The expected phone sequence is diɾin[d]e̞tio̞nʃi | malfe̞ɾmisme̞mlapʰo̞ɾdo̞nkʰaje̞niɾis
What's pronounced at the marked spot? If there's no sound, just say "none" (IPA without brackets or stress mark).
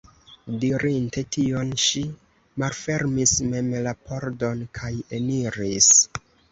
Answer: t